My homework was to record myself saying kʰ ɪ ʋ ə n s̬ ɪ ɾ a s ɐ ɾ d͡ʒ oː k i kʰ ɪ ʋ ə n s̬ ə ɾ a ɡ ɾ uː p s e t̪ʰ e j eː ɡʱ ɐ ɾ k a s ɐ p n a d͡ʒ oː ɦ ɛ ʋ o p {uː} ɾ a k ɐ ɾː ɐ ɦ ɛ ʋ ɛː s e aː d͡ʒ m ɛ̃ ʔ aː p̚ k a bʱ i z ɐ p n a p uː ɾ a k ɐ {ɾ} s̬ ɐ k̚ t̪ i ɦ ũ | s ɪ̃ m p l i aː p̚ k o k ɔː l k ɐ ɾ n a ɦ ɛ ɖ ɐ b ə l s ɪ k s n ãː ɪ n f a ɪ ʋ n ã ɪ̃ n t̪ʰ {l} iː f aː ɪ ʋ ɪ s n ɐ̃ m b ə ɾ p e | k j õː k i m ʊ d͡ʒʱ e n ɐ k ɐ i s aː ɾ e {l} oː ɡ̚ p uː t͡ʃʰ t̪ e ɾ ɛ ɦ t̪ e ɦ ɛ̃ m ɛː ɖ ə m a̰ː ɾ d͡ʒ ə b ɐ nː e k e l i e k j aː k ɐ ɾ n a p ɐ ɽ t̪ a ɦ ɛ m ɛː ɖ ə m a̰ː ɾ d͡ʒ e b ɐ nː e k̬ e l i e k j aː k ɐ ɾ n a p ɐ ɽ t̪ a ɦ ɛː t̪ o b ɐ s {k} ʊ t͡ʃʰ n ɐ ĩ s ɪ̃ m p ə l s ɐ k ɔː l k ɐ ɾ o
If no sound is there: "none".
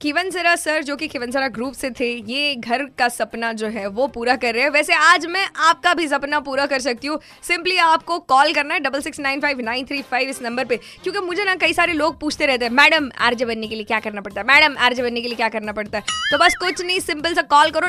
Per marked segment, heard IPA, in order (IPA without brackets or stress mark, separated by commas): uː, ɾ, ɾ, l, k